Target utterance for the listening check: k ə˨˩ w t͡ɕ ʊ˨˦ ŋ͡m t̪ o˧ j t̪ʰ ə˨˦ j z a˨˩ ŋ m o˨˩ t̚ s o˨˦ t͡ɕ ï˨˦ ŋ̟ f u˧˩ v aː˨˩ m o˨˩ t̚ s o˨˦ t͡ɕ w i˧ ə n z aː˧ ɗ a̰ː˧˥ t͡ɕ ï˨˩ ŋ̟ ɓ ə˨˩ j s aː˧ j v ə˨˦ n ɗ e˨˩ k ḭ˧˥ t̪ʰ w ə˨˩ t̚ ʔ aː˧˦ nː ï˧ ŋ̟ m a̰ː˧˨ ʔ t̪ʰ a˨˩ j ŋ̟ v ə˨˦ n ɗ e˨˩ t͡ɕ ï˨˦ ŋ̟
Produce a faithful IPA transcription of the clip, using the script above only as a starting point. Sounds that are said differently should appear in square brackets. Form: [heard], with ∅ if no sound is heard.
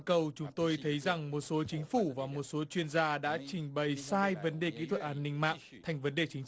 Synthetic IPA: k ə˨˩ w t͡ɕ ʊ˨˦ ŋ͡m t̪ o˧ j t̪ʰ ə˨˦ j z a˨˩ ŋ m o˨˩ t̚ s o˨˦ t͡ɕ ï˨˦ ŋ̟ f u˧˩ v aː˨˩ m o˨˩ t̚ s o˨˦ t͡ɕ w i˧ ə n z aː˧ ɗ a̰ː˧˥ t͡ɕ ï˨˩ ŋ̟ ɓ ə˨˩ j s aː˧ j v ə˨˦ n ɗ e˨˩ k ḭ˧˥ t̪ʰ w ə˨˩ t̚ ʔ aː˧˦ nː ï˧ ŋ̟ m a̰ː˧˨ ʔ t̪ʰ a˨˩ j ŋ̟ v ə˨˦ n ɗ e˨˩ t͡ɕ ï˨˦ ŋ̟